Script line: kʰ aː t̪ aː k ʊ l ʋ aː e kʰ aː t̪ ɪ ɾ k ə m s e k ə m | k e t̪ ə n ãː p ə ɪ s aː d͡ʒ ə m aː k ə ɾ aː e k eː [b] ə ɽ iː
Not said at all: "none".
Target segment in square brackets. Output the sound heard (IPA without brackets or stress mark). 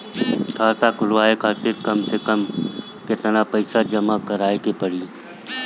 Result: p